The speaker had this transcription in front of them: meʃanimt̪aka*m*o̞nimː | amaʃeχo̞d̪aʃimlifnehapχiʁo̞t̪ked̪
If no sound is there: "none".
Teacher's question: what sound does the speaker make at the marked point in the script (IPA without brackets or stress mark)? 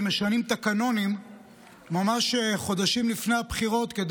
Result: n